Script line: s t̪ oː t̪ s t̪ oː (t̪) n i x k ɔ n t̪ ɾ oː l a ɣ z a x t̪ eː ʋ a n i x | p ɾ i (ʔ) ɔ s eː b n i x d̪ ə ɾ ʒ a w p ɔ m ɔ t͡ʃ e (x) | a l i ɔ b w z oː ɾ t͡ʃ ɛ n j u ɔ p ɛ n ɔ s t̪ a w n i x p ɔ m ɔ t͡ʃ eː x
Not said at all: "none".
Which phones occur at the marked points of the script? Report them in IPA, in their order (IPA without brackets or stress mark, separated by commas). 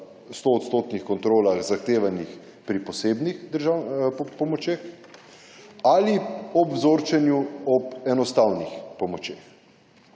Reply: t̪, p, x